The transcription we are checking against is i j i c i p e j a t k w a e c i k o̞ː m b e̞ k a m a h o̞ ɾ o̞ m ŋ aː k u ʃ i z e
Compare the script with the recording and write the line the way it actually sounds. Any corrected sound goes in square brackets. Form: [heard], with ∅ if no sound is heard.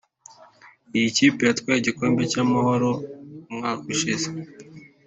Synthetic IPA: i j i c i p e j a t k w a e [ɟ] i k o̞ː m b e̞ [c] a m a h o̞ ɾ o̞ m ŋ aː k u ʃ i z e